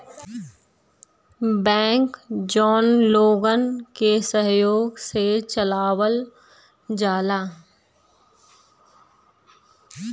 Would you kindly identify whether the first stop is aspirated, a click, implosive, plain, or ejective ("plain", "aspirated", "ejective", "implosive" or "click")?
plain